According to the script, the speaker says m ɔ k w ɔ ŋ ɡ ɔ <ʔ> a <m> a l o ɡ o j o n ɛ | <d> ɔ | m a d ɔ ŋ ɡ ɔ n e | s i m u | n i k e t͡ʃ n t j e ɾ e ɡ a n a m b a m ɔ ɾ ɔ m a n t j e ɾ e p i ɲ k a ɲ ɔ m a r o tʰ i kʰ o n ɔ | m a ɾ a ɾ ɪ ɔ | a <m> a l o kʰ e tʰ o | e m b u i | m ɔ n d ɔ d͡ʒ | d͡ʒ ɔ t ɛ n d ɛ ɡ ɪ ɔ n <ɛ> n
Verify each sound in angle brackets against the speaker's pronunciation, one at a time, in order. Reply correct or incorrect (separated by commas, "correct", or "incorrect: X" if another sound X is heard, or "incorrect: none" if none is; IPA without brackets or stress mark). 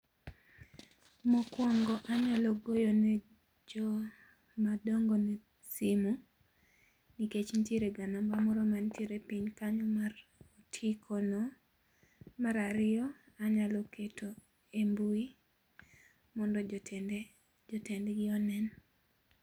correct, incorrect: ɲ, incorrect: d͡ʒ, incorrect: ɲ, correct